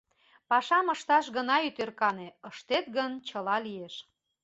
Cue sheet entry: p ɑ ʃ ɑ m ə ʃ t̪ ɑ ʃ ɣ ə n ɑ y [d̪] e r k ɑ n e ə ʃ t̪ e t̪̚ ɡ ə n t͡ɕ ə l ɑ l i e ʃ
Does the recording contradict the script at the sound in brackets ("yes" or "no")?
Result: yes